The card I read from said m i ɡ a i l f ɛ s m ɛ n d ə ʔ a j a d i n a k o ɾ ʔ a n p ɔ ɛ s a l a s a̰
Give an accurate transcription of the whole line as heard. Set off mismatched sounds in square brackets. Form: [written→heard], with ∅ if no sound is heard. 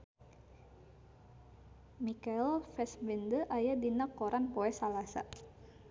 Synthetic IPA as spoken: m i [ɡ→k] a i l f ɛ s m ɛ n d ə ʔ a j a d i n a k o ɾ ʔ a n p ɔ ɛ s a l a s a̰

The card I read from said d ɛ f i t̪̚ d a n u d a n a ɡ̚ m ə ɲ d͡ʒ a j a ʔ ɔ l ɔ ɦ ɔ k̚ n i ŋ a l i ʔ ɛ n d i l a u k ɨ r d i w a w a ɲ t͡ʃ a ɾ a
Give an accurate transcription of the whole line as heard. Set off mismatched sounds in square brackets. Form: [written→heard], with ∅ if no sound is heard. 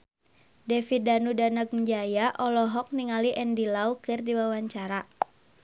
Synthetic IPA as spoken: d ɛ f i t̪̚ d a n u d a n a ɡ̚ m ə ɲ d͡ʒ a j a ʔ ɔ l ɔ ɦ ɔ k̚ n i ŋ a l i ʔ ɛ n d i l a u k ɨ r d i w a w a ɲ t͡ʃ a ɾ a

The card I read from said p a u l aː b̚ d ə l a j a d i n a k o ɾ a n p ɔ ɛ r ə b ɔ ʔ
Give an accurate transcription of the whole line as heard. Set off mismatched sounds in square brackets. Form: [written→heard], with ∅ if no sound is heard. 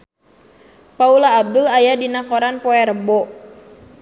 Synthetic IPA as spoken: p a u l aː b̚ d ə l a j a d i n a k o ɾ a n p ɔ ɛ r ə b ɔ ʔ

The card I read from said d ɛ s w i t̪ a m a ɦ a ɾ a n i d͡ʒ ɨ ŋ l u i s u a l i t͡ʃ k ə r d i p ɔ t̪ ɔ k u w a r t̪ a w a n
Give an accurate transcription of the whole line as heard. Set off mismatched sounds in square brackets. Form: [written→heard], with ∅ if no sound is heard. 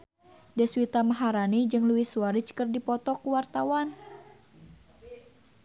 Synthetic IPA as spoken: d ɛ s w i t̪ a m a ɦ a ɾ a n i d͡ʒ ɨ ŋ l u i s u a [l→ɾ] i t͡ʃ k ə r d i p ɔ t̪ ɔ k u w a r t̪ a w a n

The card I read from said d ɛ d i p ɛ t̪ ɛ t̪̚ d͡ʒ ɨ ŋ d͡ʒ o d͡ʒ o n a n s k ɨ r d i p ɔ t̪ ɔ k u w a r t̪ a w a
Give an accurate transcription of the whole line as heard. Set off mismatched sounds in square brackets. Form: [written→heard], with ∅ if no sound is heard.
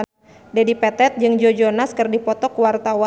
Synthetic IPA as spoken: d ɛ d i p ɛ t̪ ɛ t̪̚ d͡ʒ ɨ ŋ d͡ʒ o d͡ʒ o n a [n→∅] s k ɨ r d i p ɔ t̪ ɔ k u w a r t̪ a w a

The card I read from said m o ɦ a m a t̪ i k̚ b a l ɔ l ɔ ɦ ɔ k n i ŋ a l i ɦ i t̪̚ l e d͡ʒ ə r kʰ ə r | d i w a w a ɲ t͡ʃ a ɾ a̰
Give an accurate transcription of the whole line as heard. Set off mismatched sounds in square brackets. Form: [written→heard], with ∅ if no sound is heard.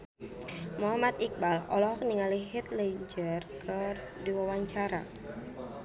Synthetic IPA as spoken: m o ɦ a m a t̪ i k̚ b a l ɔ l ɔ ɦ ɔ k n i ŋ a l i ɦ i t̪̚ l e d͡ʒ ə r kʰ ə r | d i w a w a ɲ t͡ʃ a ɾ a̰

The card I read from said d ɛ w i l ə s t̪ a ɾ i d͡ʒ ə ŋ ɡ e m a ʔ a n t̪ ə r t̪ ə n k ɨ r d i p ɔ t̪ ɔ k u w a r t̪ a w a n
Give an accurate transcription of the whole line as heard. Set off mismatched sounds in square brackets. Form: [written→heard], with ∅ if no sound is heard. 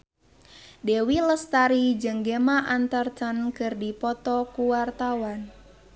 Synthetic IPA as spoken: d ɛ w i l ə s t̪ a ɾ i d͡ʒ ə ŋ ɡ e m a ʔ a n t̪ ə r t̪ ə n k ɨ r d i p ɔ t̪ ɔ k u w a r t̪ a w a n

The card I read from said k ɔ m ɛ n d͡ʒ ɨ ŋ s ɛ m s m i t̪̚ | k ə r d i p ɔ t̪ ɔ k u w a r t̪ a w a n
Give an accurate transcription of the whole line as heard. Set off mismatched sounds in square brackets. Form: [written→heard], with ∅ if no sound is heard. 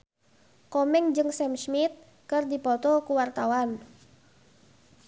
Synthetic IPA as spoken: k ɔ m ɛ [n→ŋ] d͡ʒ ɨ ŋ s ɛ m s m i t̪̚ | k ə r d i p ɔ t̪ ɔ k u w a r t̪ a w a n

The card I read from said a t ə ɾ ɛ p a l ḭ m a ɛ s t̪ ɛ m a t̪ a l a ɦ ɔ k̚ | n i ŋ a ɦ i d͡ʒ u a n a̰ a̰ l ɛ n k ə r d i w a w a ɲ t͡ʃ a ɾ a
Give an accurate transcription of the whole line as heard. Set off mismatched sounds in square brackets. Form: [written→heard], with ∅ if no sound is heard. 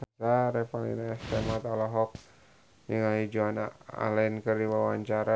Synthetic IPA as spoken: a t [ə→a] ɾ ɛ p a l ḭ [m→n] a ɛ s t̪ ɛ m a t̪ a l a ɦ ɔ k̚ | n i ŋ a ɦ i d͡ʒ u a n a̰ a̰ l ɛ n k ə r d i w a w a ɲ t͡ʃ a ɾ a

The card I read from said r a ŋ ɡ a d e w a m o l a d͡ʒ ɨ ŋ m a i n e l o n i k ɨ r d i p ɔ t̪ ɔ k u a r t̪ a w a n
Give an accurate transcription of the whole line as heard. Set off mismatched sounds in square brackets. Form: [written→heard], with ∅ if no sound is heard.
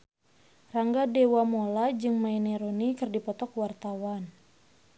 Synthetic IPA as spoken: r a ŋ ɡ a d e w a m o l a d͡ʒ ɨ ŋ m a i n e [l→ɾ] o n i k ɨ r d i p ɔ t̪ ɔ k [u→w] a r t̪ a w a n

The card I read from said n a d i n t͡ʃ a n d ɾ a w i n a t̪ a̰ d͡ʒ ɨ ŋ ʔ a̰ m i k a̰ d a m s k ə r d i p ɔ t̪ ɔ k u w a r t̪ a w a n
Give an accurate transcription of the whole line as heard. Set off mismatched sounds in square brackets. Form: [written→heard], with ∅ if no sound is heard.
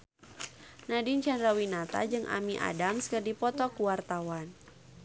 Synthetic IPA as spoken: n a d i n t͡ʃ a n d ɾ a w i n a t̪ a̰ d͡ʒ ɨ ŋ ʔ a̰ m i [k→ʔ] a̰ d a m s k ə r d i p ɔ t̪ ɔ k u w a r t̪ a w a n

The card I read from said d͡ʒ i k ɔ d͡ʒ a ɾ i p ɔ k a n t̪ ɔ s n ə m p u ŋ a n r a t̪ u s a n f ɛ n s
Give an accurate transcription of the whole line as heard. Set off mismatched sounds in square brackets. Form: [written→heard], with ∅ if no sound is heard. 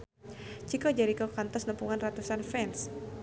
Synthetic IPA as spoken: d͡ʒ i k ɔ d͡ʒ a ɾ i [p→k] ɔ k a n t̪ ɔ s n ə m p u ŋ a n r a t̪ u s a n f ɛ n s

